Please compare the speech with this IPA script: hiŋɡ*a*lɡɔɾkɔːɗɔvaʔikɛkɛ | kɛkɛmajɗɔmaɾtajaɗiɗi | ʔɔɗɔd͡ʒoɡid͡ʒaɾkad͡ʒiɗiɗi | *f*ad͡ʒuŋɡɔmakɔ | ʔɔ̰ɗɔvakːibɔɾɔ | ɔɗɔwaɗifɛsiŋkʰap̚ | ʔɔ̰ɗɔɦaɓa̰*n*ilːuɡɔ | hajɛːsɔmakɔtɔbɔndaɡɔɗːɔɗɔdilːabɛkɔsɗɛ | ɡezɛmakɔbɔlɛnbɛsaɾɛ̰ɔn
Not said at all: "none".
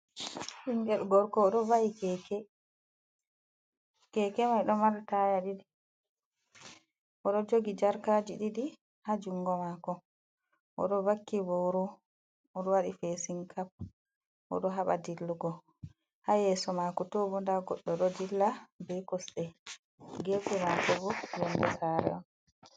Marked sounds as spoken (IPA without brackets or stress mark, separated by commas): ɛ, h, d